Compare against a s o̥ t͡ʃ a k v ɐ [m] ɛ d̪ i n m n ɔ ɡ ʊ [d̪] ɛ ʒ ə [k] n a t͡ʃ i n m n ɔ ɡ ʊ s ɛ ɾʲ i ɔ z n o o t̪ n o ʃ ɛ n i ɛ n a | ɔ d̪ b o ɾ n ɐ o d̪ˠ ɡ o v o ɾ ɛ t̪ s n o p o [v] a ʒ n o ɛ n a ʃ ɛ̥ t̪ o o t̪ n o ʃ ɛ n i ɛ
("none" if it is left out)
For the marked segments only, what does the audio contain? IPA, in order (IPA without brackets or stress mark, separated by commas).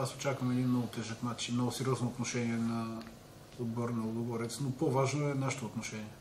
m, t̪, k, v